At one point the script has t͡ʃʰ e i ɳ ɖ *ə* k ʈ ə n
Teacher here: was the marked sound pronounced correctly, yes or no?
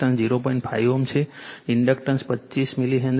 yes